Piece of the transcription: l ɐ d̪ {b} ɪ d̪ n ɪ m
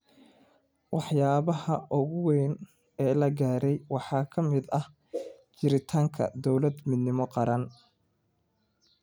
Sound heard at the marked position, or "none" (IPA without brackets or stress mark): m